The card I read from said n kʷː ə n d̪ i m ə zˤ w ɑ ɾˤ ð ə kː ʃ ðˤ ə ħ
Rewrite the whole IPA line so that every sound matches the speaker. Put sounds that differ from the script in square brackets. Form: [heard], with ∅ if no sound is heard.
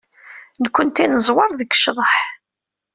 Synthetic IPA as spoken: n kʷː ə n [t̪] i [n] ə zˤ w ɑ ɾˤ ð ə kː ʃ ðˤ ə ħ